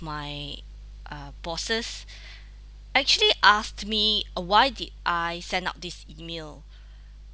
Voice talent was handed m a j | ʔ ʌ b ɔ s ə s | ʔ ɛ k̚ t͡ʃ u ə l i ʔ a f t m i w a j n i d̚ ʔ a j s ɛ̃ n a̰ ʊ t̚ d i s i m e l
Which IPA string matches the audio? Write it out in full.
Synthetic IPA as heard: m a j | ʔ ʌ b ɔ s ə s | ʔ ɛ k̚ t͡ʃ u ə l i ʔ a s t m i w a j d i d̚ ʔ a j s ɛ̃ n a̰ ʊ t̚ d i s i m e l